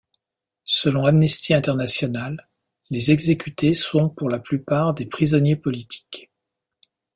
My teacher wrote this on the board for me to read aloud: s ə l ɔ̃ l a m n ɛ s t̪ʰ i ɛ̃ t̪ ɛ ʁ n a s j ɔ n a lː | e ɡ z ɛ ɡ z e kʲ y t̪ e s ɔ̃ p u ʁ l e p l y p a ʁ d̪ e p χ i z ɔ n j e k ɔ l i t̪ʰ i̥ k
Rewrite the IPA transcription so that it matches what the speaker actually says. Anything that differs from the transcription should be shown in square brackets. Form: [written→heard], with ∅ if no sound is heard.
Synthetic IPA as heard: s ə l ɔ̃ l a m n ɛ s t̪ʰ i ɛ̃ t̪ ɛ ʁ n a s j ɔ n a lː | e [ɡ→∅] z ɛ ɡ z e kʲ y t̪ e s ɔ̃ p u ʁ l [e→a] p l y p a ʁ d̪ e p χ i z ɔ n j e [k→p] ɔ l i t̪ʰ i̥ k